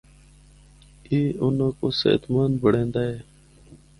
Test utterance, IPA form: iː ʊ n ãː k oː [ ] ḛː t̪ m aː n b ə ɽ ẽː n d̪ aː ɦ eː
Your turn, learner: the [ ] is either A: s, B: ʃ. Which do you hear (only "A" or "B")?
A